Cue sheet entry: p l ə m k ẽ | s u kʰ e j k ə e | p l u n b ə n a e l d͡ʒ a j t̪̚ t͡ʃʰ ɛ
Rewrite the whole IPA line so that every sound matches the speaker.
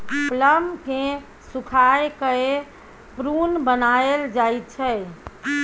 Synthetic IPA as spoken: p l ə m k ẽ | s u kʰ a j k ə e | p ɾ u n b ə n a e l d͡ʒ a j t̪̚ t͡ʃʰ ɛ